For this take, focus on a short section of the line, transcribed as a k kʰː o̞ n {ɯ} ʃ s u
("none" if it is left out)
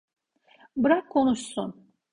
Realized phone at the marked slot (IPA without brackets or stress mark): u